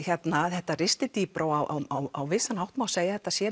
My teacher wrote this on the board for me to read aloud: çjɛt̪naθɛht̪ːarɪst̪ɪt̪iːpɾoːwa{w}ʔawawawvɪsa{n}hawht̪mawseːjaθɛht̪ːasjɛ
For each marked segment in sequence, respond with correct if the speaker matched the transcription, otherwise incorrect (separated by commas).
correct, correct